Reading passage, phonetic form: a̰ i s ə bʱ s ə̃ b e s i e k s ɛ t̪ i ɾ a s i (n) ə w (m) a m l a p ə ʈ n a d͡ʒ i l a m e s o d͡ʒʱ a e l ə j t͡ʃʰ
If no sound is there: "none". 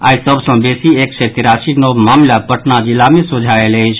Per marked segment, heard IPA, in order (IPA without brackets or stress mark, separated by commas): n, m